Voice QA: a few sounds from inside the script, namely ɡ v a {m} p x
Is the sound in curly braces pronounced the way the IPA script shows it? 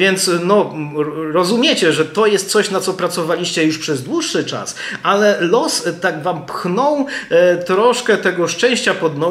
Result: yes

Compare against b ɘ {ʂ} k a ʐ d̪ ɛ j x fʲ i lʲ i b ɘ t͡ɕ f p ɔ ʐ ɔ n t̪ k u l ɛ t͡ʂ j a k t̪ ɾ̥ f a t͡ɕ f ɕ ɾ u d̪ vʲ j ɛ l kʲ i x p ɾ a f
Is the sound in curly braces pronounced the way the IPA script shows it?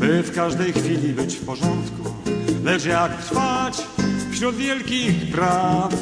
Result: no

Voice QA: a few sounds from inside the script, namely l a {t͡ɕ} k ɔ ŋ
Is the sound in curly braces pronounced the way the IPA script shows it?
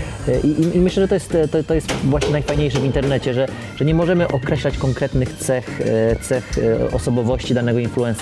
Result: yes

